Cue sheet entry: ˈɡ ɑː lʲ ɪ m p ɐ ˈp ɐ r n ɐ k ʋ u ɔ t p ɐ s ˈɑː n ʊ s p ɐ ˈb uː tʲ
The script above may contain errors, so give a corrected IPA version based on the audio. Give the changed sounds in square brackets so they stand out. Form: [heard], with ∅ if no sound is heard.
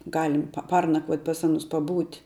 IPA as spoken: ˈɡ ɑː lʲ ɪ m p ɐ ˈp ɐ r n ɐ k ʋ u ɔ t p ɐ s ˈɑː n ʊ s p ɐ ˈb uː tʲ